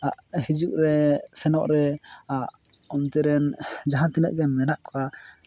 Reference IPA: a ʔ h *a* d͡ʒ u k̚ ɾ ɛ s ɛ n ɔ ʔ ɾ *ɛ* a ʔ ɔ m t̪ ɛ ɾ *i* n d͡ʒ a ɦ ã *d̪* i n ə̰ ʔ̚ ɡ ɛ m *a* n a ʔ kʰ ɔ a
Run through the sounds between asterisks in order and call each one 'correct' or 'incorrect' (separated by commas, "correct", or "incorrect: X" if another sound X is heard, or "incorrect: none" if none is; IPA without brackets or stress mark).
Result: incorrect: i, correct, incorrect: ɛ, incorrect: t̪, incorrect: ɛ